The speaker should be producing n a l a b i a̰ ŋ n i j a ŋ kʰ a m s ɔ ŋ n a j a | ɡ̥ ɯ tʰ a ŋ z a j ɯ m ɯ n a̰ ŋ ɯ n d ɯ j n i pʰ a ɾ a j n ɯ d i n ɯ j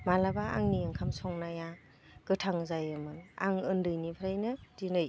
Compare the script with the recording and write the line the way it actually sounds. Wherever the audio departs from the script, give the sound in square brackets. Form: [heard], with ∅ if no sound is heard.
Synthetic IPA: [m] a l a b [a] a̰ ŋ n i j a ŋ kʰ a m s ɔ ŋ n a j a | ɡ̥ ɯ tʰ a ŋ z a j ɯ m ɯ n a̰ ŋ ɯ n d ɯ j n i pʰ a ɾ a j n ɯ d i n ɯ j

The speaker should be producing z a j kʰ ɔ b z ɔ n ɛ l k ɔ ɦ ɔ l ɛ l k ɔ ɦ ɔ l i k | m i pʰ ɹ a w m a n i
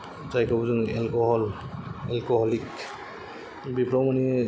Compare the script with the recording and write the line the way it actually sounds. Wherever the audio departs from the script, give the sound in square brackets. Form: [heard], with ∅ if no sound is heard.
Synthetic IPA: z a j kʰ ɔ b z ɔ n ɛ l k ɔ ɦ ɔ l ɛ l k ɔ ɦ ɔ l i k | [b] i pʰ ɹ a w m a n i

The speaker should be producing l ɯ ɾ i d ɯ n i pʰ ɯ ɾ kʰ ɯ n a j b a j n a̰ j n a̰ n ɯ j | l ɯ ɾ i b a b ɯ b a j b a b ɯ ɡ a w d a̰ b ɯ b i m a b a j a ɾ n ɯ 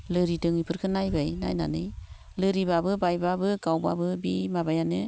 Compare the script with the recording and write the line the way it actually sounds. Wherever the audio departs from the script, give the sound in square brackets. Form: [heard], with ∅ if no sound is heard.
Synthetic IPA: l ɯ ɾ i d ɯ [ŋ] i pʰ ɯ ɾ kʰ ɯ n a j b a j n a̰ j n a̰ n ɯ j | l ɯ ɾ i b a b ɯ b a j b a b ɯ ɡ a w [b] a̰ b ɯ b i m a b a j a [∅] n ɯ

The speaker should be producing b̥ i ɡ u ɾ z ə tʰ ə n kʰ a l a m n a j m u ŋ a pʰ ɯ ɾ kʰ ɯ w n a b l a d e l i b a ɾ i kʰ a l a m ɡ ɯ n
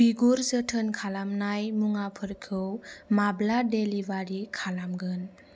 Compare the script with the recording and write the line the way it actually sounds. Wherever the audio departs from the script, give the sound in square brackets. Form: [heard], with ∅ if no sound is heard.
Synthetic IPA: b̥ i ɡ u ɾ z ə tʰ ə n kʰ a l a m n a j m u ŋ a pʰ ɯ ɾ kʰ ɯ w [m] a b l a d e l i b a ɾ i kʰ a l a m ɡ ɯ n

